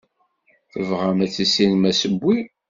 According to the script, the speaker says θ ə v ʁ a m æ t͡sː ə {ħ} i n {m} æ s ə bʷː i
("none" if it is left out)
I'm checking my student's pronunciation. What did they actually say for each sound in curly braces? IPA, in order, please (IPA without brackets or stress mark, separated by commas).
s, m